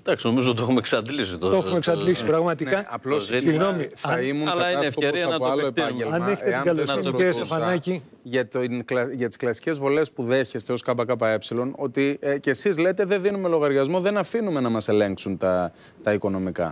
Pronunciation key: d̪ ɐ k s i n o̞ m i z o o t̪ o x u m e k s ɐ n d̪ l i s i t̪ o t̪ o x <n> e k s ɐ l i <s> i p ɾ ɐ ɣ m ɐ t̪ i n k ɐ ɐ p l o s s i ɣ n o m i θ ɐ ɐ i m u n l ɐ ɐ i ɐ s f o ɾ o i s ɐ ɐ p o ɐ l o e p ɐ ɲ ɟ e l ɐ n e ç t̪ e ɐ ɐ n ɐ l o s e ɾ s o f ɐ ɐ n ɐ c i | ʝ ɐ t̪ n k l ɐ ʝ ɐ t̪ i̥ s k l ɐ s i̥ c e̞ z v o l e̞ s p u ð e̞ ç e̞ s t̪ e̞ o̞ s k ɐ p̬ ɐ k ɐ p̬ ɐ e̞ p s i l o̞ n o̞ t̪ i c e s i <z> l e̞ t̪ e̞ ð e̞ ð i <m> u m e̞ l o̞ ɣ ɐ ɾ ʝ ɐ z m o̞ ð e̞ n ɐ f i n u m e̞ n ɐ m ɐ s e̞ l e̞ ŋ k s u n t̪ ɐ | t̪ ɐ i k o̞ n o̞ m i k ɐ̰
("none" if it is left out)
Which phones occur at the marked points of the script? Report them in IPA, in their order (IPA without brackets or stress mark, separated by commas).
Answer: m, s, z, n